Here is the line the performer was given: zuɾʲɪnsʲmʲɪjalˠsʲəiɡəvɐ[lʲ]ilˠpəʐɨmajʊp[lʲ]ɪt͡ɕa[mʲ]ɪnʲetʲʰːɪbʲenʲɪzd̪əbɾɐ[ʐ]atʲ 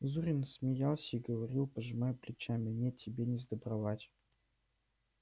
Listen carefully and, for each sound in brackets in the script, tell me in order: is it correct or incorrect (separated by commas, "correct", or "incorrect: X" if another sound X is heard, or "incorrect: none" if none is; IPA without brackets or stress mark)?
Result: incorrect: ɾʲ, correct, correct, incorrect: v